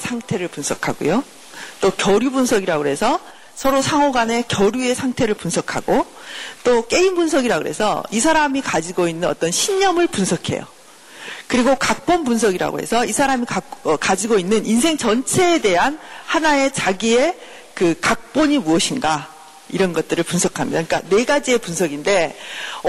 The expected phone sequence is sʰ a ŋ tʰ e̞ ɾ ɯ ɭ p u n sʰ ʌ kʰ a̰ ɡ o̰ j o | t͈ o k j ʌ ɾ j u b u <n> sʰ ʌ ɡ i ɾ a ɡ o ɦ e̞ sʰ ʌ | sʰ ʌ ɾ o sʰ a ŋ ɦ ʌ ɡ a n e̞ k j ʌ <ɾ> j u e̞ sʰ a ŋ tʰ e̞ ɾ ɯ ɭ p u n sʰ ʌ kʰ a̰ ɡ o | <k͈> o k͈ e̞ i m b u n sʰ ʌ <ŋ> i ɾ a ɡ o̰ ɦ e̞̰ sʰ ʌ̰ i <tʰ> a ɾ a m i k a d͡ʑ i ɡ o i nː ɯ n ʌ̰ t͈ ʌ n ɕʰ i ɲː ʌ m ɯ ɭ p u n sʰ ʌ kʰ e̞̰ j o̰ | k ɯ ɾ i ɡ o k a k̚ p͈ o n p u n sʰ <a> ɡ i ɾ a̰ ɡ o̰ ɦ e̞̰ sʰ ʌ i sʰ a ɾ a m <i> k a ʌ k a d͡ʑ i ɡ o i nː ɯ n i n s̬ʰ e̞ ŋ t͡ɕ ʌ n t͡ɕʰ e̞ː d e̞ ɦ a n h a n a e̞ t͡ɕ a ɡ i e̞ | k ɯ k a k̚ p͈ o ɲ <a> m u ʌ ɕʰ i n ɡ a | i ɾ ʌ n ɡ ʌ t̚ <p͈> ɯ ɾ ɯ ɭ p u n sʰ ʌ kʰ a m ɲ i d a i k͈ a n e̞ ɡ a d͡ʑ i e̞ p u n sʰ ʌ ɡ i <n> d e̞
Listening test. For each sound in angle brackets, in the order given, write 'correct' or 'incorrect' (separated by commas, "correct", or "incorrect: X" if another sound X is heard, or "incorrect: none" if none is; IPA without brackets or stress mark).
correct, correct, incorrect: t͈, incorrect: ɡ, incorrect: sʰ, incorrect: ʌ, correct, incorrect: i, incorrect: t͈, correct